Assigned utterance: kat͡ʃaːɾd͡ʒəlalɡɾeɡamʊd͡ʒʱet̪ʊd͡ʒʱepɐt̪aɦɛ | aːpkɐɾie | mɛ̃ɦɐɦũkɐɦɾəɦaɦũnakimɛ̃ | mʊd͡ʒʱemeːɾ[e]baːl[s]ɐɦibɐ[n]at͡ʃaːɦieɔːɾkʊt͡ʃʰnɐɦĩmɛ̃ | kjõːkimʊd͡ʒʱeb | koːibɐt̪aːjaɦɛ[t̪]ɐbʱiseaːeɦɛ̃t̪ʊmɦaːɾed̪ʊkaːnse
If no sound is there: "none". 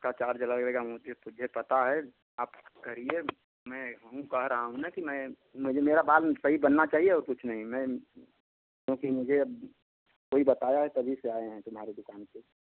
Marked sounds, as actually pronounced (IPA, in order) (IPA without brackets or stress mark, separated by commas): a, s, nː, t̪